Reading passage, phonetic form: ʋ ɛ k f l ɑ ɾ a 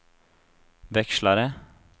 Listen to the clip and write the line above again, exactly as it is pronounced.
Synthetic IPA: ʋ ɛ k ʃ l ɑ ɾ ə